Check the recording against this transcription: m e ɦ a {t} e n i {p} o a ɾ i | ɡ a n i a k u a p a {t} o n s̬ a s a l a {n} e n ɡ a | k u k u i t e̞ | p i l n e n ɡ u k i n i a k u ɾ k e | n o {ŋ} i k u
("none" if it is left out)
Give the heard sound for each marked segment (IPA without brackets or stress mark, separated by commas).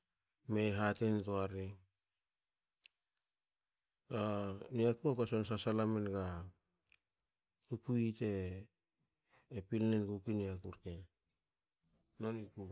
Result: t, t, s, m, n